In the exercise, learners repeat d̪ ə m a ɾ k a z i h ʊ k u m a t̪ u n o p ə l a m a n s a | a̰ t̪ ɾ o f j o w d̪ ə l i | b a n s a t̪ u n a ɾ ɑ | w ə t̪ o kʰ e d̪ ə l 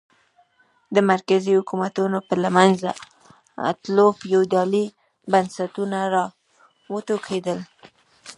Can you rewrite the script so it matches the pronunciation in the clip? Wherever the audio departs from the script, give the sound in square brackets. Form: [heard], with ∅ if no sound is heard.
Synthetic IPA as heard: d̪ ə m a ɾ k a z i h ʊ k u m a t̪ u n o p ə l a m a n [z] a | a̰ t̪ [l] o f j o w d̪ [ɑ] l i | b a n s a t̪ u n a ɾ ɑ | w ə t̪ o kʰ e d̪ ə l